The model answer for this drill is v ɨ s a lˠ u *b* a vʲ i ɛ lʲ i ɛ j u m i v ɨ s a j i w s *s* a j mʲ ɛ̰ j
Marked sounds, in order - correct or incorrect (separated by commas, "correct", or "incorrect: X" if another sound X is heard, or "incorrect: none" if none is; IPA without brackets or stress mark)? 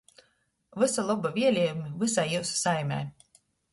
correct, correct